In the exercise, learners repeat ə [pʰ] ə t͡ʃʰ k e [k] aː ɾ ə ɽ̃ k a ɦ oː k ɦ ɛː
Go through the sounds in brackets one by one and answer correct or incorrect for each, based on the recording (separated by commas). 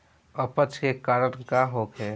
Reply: incorrect, correct